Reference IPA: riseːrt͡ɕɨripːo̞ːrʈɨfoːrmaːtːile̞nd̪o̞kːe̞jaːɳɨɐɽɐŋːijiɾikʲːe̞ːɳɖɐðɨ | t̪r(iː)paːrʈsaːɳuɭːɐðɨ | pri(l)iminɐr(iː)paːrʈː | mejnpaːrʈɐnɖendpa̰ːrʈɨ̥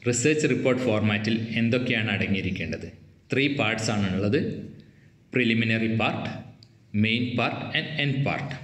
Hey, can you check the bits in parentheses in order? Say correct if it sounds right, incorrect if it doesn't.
correct, correct, incorrect: i

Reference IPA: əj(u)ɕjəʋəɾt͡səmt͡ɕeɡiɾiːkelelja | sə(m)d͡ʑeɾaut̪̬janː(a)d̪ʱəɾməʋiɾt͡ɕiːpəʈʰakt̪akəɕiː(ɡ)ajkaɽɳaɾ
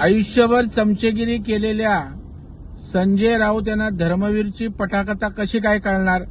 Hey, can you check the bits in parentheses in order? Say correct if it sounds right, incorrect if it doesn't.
correct, incorrect: ɲ, correct, incorrect: k

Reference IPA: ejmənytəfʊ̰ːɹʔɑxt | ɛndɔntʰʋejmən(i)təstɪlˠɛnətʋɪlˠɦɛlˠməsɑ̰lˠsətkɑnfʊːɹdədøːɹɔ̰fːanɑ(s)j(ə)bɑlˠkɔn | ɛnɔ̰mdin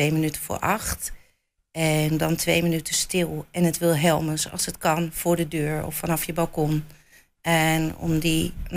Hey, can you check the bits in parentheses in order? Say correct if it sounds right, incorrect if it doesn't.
incorrect: y, incorrect: f, correct

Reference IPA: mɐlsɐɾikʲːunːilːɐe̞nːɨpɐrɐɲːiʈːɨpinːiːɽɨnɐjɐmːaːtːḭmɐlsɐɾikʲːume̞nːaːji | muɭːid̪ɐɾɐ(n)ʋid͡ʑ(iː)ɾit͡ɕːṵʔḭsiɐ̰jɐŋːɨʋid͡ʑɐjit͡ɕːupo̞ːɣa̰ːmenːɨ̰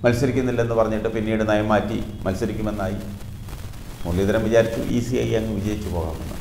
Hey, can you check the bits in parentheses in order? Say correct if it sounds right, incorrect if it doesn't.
incorrect: m, incorrect: aː

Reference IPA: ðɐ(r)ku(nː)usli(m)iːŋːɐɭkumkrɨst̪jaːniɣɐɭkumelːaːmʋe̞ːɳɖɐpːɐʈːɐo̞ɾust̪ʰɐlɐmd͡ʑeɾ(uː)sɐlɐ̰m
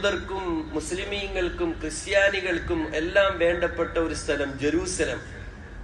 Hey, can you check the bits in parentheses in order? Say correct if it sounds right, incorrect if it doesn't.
correct, incorrect: mː, correct, correct

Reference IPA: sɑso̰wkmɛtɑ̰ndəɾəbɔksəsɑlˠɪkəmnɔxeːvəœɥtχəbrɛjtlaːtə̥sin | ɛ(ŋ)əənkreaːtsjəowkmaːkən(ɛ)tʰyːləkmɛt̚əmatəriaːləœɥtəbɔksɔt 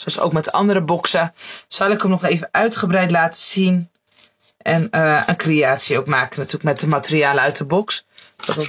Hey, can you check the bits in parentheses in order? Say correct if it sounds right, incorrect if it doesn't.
incorrect: n, incorrect: a

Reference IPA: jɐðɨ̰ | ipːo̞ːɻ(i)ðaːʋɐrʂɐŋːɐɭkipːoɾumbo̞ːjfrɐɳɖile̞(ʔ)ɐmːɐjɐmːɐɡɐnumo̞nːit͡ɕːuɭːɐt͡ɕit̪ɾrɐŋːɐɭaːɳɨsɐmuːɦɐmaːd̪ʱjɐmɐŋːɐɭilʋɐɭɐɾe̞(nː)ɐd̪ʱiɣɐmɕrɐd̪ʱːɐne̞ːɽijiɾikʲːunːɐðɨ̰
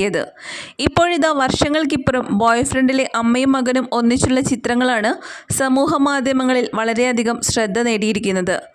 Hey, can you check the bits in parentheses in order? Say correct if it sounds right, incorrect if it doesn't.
correct, correct, incorrect: none

